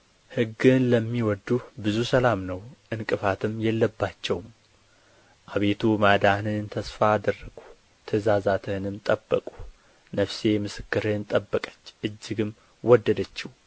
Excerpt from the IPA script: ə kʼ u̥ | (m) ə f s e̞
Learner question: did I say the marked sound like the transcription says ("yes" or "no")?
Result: no